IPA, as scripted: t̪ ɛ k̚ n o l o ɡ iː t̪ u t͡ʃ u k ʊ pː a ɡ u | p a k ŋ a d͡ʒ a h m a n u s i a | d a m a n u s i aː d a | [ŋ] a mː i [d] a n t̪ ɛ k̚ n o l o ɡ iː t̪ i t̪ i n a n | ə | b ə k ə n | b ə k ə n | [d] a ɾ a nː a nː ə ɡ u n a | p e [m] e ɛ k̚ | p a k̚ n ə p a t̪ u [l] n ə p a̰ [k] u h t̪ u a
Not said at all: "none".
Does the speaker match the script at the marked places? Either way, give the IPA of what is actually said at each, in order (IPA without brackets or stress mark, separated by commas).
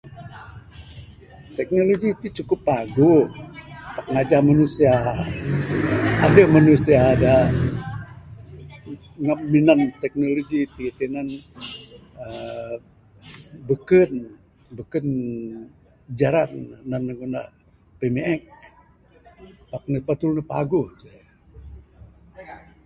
ŋ, n, d͡ʒ, m, l, ɡ